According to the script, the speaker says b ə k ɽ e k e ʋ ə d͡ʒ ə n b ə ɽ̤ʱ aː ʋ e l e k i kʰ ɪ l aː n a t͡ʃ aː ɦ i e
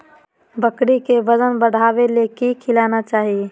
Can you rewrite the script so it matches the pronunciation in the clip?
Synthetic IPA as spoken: b ə k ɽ i k e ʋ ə d͡ʒ ə n b ə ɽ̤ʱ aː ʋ e l e k i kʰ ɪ l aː n a t͡ʃ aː ɦ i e